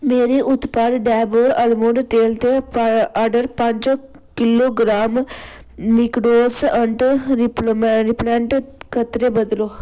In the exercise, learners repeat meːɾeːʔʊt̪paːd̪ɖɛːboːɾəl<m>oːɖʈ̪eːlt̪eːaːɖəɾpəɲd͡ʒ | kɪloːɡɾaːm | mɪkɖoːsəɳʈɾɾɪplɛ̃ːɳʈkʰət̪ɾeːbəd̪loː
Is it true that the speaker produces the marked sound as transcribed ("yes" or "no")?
yes